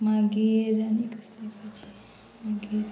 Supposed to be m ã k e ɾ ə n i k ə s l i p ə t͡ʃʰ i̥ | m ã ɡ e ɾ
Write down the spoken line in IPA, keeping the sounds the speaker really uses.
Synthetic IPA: m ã ɡ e ɾ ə n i k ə s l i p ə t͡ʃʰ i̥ | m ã ɡ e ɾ